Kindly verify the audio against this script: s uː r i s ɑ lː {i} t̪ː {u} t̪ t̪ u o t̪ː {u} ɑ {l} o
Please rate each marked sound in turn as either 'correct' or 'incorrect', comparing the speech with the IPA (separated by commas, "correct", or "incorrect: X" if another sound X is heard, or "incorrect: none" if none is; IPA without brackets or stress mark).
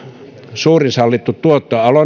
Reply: correct, correct, incorrect: o, correct